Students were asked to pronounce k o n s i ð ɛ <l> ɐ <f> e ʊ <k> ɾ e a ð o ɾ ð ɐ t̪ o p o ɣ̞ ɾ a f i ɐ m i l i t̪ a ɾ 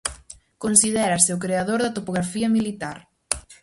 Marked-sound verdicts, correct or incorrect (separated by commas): incorrect, incorrect, correct